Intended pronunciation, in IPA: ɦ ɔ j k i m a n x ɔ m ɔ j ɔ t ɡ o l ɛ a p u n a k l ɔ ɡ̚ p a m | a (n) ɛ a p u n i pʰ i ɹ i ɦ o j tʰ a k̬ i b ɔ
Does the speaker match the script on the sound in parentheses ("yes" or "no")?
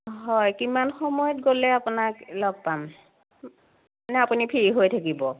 yes